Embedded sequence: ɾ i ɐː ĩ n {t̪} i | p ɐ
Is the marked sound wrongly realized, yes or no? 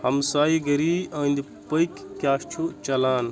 yes